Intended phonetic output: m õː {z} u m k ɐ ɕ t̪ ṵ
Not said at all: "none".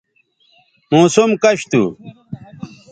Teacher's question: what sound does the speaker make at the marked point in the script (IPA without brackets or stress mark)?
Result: s